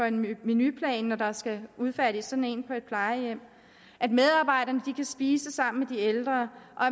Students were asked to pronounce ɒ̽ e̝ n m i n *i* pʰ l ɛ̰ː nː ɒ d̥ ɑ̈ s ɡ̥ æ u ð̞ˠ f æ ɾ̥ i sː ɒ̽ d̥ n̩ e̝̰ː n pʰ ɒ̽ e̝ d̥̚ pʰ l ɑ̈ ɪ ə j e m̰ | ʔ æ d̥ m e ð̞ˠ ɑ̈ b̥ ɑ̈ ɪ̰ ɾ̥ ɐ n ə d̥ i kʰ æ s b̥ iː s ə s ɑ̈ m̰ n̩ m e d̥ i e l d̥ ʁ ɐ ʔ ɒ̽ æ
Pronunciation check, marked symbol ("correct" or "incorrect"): incorrect